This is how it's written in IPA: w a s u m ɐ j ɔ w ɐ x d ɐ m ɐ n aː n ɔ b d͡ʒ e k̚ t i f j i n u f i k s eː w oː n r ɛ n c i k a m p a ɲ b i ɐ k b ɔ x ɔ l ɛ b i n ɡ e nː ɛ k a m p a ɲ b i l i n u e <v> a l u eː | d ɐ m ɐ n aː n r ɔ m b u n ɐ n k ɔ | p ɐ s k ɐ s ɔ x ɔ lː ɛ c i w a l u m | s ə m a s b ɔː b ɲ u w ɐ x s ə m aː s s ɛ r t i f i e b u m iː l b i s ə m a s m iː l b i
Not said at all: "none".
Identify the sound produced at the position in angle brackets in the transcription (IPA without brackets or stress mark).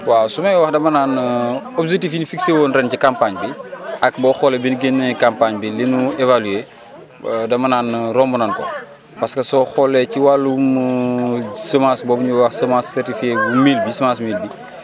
v